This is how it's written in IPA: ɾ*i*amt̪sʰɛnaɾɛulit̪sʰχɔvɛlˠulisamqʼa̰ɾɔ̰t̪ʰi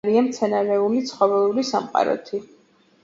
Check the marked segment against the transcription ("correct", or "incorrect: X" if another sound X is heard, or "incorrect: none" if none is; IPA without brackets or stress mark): correct